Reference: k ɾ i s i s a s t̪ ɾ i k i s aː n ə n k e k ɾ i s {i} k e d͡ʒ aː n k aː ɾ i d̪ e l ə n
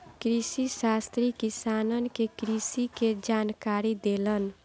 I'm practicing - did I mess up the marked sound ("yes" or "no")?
no